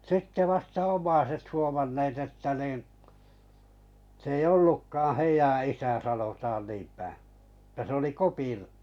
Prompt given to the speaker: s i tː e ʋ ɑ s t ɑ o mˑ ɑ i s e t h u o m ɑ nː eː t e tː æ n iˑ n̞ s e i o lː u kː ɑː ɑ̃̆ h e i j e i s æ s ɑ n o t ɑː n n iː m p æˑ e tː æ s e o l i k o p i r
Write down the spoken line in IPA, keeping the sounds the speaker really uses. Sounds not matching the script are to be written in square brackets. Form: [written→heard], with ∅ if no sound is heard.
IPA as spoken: s i tː e ʋ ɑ s t ɑ o mˑ ɑ i s e t h u o m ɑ nː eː t e tː æ n iˑ n̞ s e i o lː u kː ɑː ɑ̃̆ h e i j [e→æ] i s æ s ɑ n o t ɑː n n iː m p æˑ e tː æ s e o l i k o p i r